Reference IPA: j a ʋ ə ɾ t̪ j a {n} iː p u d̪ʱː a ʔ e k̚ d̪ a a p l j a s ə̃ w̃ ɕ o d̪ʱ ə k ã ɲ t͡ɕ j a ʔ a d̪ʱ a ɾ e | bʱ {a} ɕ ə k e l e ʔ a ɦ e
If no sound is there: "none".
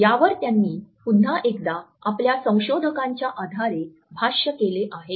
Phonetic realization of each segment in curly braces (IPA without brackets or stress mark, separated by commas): nː, a